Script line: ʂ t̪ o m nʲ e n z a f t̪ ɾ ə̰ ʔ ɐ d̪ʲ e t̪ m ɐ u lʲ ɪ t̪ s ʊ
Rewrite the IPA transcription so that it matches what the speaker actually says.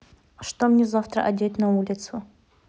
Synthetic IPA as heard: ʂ t̪ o m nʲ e z a f t̪ ɾ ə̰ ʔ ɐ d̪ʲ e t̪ n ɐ u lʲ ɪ t̪ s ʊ